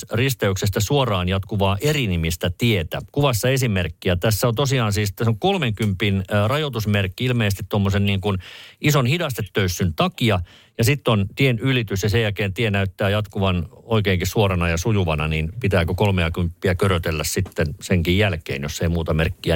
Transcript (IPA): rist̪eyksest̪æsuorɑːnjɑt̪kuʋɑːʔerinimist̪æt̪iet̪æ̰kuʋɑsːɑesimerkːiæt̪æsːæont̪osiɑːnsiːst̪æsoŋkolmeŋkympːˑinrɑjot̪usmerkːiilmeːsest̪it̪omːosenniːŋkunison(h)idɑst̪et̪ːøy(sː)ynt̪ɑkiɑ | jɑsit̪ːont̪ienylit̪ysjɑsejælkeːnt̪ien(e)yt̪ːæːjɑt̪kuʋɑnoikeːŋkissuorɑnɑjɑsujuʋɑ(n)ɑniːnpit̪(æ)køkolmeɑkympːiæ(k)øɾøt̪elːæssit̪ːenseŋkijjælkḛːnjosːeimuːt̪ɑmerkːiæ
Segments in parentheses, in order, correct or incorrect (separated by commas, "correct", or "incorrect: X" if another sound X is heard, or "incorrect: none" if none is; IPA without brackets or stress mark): correct, correct, incorrect: æ, correct, incorrect: æː, correct